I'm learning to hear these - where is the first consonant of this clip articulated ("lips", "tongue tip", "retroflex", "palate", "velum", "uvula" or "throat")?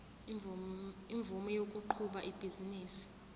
lips